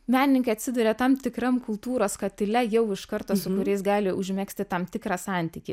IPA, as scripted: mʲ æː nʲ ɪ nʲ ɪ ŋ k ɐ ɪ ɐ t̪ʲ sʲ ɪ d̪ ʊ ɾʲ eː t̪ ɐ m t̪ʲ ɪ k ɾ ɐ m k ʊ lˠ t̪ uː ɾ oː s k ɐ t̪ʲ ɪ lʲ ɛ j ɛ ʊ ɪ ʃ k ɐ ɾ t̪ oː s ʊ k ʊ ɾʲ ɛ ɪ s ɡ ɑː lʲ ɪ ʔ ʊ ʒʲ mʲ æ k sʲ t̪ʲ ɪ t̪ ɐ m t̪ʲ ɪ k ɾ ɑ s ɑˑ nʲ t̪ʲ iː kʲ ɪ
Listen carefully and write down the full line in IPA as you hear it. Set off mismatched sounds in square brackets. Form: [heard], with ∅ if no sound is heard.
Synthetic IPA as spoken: mʲ æː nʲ ɪ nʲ ɪ ŋ k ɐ ɪ ɐ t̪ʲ sʲ ɪ d̪ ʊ ɾʲ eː t̪ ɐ m t̪ʲ ɪ k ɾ ɐ m k ʊ lˠ t̪ uː ɾ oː s k ɐ t̪ʲ ɪ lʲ ɛ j ɛ ʊ ɪ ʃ k ɐ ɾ t̪ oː s ʊ k ʊ ɾʲ ɛ ɪ s ɡ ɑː lʲ ɪ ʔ ʊ ʒʲ mʲ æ k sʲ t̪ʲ ɪ t̪ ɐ m t̪ʲ ɪ k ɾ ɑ s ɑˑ nʲ t̪ʲ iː kʲ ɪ